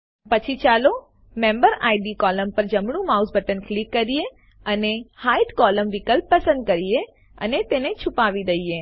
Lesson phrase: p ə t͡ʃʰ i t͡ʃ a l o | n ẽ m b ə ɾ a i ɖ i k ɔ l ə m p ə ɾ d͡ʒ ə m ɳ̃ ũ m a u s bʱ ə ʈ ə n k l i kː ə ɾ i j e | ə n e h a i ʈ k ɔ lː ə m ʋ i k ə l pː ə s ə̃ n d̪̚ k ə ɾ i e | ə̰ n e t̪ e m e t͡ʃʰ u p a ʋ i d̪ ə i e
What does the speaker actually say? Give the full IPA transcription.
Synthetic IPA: p ə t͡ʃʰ i t͡ʃ a l o | m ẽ m b ə ɾ a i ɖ i k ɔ l ə m p ə ɾ d͡ʒ ə m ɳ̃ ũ m a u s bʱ ə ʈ ə n k l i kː ə ɾ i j e | ə n e h a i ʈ k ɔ l ə m ʋ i k ə l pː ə s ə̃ n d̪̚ k ə ɾ i e | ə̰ n e t̪ e n e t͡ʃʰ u p a ʋ i d̪ ə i e